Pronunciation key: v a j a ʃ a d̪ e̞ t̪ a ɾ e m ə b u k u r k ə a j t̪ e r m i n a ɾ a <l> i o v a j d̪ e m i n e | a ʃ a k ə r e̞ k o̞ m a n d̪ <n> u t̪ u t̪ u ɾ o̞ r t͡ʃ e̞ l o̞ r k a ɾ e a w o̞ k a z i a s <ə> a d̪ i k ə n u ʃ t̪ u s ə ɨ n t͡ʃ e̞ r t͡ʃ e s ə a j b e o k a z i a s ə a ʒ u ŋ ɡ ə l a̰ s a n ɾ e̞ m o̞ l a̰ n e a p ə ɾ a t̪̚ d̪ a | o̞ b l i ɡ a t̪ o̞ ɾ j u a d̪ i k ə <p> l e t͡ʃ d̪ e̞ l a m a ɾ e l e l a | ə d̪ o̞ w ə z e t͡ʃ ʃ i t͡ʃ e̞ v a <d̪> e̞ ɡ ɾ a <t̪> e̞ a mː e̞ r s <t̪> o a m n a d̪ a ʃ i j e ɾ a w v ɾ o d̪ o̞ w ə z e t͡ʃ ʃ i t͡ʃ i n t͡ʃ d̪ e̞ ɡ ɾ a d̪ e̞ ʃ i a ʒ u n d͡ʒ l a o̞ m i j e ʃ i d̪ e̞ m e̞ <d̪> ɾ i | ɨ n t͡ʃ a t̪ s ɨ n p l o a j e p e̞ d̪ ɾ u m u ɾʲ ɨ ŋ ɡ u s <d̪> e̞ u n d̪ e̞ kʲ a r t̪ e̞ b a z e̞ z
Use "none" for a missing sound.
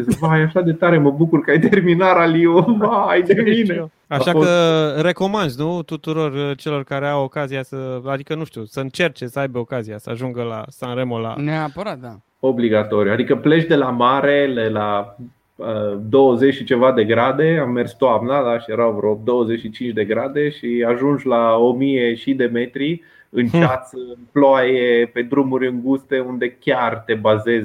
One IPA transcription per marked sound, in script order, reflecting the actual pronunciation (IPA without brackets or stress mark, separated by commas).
l, n, ə, p, d̪, d̪, t̪, t̪, t̪